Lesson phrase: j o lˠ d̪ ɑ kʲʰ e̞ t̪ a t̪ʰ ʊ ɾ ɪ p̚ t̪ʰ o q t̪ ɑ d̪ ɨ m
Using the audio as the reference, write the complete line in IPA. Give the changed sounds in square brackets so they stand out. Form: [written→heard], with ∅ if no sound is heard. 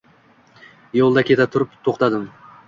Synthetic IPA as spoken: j o lˠ d̪ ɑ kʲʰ e̞ t̪ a t̪ʰ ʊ ɾ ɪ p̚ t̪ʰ o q t̪ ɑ d̪ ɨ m